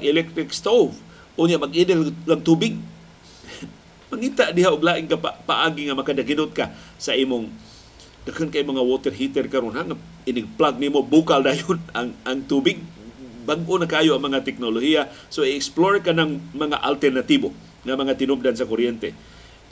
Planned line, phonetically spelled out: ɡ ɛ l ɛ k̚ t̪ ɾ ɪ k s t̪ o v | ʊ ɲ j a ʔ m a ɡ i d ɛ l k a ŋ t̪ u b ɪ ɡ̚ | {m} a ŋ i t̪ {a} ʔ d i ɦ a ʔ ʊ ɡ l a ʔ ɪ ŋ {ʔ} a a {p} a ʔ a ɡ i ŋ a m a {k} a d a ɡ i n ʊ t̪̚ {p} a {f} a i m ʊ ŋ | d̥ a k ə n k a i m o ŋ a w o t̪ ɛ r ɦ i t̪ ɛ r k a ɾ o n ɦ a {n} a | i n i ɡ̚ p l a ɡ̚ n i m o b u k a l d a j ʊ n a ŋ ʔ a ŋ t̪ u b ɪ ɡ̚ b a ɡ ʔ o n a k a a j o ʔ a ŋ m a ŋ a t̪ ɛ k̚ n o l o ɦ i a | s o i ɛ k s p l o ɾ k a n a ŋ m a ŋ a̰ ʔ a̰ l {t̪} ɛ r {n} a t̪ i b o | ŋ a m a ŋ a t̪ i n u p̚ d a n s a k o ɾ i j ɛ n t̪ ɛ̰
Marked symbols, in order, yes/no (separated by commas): yes, yes, no, yes, yes, no, no, no, yes, yes